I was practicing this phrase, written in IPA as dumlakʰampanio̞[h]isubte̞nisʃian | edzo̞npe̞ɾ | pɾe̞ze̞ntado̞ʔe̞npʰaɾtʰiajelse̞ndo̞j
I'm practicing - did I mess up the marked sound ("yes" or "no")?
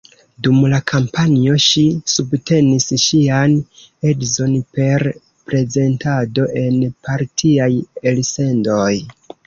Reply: yes